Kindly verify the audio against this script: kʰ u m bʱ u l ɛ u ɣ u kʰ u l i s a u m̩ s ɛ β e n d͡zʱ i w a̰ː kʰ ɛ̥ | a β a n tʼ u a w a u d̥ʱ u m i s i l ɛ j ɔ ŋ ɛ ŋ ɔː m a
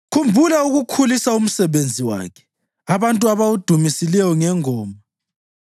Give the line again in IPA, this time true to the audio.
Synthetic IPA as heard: kʰ u m bʱ u l a u ɣ u kʰ u l i s a u m̩ s ɛ β e n d͡zʱ i w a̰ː kʰ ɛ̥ | a β a n tʼ u a β a u d̥ʱ u m i s i l ɛ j ɔ ŋ ɛ ŋ ɔː m a